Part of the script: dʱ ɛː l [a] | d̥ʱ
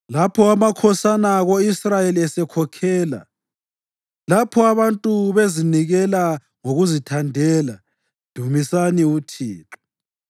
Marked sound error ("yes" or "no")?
no